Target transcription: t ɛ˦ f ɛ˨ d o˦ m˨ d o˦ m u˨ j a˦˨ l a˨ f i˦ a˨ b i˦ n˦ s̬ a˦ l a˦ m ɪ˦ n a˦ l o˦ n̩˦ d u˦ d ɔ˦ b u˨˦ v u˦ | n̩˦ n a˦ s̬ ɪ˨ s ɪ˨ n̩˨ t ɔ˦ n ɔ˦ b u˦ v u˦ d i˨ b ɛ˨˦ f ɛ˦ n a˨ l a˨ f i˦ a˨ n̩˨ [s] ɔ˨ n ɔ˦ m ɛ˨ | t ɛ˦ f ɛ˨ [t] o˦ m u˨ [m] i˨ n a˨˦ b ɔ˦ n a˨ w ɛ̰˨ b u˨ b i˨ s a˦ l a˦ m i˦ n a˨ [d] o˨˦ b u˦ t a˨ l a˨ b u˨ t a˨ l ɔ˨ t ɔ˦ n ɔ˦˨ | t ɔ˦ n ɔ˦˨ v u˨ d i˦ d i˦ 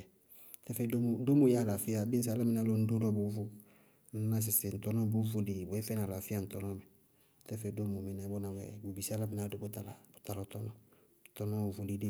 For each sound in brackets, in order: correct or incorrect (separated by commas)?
incorrect, incorrect, correct, correct